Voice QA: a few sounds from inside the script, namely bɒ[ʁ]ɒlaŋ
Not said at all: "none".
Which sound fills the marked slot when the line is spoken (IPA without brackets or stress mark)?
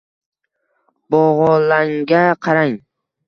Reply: ʁ